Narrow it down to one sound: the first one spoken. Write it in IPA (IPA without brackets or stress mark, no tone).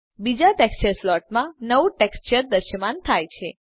b